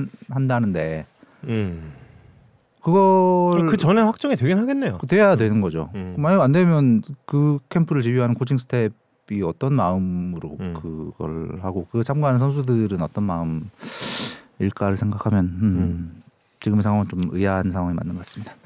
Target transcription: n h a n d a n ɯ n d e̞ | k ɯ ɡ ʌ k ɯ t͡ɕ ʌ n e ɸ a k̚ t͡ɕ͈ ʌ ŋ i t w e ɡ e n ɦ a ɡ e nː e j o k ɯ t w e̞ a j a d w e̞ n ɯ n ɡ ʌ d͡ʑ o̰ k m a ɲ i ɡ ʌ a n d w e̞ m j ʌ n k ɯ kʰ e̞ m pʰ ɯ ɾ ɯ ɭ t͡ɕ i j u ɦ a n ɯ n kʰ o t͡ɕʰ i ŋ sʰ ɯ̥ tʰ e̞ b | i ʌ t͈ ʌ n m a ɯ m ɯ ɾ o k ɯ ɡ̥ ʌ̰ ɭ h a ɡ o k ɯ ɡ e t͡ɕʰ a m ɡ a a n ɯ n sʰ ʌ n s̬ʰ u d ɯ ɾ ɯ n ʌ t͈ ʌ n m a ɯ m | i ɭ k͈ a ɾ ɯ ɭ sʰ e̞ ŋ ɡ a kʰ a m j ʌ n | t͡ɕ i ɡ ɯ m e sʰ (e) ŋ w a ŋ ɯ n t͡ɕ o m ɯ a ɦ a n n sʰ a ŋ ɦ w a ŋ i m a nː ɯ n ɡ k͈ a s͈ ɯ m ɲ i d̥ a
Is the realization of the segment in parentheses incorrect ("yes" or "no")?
yes